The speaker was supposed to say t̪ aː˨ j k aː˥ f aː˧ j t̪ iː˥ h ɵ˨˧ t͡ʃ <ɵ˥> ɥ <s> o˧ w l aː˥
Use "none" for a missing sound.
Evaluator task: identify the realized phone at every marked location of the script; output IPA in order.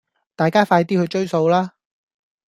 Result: ɵ˥, s

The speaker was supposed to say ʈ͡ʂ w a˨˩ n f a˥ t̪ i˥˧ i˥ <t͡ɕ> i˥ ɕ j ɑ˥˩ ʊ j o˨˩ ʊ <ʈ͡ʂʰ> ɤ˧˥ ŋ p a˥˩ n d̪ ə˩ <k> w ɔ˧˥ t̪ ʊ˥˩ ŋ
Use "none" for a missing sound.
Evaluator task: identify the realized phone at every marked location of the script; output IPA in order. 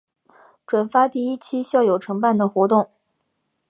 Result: t͡ɕʰ, ʈ͡ʂʰ, x

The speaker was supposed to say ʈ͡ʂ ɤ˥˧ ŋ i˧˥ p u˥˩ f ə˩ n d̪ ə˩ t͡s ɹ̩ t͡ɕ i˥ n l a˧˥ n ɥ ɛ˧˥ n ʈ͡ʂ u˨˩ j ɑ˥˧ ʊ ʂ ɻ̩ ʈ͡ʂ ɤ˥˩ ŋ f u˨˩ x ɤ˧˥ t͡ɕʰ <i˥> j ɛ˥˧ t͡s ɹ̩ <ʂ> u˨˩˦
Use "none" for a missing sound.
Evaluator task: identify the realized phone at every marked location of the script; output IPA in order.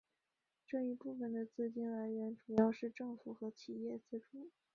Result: i˨˩, ʈ͡ʂ

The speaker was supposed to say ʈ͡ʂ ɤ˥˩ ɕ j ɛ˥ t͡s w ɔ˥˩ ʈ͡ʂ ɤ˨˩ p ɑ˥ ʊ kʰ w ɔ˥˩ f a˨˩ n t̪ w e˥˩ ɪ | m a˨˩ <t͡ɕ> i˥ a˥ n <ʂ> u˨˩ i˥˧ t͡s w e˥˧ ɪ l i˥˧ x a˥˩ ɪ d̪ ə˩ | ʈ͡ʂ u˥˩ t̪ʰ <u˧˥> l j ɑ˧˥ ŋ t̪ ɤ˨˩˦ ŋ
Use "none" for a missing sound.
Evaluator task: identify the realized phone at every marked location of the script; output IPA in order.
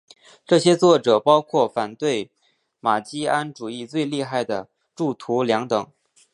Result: t͡ɕ, ʈ͡ʂ, u˧˥

